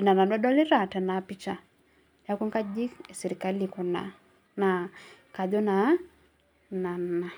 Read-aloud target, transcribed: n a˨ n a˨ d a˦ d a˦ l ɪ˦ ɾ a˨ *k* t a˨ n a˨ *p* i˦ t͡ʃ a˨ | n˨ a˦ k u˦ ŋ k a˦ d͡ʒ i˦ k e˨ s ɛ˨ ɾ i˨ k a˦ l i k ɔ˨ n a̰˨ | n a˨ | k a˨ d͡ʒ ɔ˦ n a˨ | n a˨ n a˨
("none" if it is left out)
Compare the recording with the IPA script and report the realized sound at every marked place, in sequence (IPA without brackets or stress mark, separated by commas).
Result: none, p